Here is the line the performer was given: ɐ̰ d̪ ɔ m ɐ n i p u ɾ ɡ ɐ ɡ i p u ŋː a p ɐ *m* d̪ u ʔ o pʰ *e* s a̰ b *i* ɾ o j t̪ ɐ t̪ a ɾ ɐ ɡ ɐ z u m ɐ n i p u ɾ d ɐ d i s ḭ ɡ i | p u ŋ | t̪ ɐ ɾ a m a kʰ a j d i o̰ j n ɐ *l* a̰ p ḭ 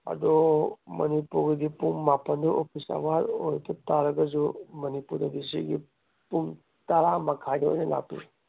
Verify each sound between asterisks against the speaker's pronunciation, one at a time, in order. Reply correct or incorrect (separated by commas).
incorrect, incorrect, incorrect, correct